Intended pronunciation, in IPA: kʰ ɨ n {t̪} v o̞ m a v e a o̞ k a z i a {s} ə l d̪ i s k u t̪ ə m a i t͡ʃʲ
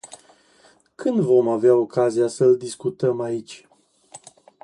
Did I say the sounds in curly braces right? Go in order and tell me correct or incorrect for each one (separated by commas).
incorrect, correct